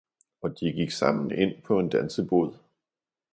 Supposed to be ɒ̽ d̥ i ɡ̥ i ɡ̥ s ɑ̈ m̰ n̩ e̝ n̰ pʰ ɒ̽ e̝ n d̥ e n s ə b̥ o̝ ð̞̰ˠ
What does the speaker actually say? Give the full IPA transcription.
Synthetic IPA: ɒ̽ d̥ i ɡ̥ i ɡ̥ s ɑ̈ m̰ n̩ e̝ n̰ pʰ ɒ̽ e̝ n d̥ æ n s ə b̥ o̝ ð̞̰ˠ